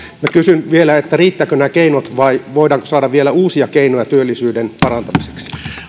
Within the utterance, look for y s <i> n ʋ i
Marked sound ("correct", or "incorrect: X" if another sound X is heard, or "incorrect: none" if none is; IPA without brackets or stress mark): incorrect: y